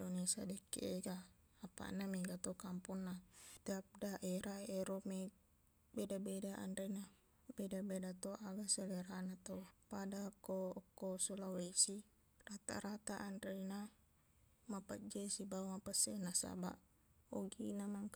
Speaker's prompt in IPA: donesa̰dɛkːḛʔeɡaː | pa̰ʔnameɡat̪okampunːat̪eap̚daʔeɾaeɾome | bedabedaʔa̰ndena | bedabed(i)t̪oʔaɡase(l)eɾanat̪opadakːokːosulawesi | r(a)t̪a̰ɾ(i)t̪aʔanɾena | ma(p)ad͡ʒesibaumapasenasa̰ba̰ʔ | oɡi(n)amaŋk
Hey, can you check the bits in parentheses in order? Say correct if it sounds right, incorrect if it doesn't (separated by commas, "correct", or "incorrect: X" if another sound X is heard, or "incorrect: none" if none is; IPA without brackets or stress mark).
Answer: incorrect: a, correct, correct, incorrect: a, correct, correct